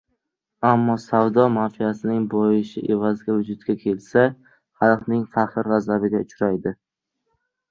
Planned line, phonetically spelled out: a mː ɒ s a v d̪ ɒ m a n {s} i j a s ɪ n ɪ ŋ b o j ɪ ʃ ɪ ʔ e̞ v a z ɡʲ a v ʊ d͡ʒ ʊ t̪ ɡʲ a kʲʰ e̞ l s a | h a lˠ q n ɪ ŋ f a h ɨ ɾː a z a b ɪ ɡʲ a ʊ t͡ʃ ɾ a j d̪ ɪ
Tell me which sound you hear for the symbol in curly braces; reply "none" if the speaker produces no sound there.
f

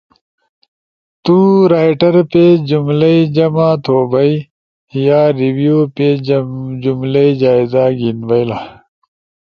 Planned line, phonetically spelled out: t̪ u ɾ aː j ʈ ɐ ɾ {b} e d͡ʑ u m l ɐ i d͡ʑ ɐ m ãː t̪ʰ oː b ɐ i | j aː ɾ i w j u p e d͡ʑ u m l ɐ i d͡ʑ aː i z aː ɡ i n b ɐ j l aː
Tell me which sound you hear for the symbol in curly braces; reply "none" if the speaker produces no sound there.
p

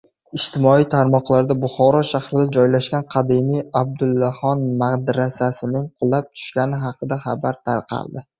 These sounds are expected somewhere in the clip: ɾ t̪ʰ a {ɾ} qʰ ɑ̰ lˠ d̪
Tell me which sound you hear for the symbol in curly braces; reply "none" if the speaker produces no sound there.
ɾ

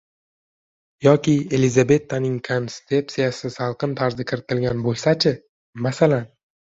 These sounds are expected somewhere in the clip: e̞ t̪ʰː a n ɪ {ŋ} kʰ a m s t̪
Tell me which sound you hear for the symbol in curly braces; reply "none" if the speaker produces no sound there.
ŋ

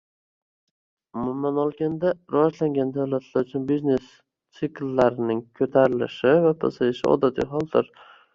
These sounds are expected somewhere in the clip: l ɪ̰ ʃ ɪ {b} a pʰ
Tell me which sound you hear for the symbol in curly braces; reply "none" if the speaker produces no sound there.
v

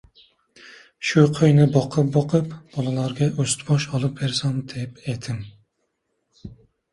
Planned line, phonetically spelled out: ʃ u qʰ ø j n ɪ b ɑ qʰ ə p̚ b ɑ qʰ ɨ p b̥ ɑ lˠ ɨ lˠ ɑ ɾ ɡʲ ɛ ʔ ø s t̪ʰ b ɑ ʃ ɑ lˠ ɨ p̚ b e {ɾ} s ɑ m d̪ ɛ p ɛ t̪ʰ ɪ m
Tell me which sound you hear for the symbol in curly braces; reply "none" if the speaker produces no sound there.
ɾ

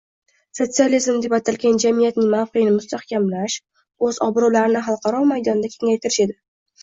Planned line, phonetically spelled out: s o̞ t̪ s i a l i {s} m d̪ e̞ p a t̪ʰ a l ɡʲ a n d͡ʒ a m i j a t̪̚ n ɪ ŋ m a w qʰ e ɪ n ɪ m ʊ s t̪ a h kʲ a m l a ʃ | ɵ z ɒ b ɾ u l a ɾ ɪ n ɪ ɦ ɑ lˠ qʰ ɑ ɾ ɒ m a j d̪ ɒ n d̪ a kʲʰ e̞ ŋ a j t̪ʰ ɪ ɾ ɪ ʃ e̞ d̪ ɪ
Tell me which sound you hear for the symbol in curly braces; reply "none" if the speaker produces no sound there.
z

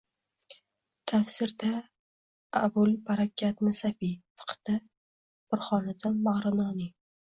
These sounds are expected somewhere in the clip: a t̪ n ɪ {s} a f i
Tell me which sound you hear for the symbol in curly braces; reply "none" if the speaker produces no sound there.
s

